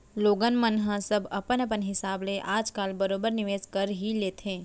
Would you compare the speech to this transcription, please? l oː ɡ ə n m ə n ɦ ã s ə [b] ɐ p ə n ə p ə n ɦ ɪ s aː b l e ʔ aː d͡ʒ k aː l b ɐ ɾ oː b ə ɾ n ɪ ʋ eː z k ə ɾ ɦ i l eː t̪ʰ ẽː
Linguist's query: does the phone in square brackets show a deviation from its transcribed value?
no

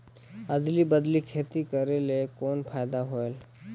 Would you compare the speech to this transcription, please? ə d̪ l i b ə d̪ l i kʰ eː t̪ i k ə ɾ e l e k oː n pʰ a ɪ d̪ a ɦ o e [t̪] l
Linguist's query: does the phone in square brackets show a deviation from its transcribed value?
yes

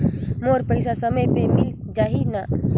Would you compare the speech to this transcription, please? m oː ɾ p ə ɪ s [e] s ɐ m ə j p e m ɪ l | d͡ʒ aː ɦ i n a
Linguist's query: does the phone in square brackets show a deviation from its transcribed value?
yes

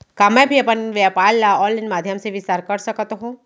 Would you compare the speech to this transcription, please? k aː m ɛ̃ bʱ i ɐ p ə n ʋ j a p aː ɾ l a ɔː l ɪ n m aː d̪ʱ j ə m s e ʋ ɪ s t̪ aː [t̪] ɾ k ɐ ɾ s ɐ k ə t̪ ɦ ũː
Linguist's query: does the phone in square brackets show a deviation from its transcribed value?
yes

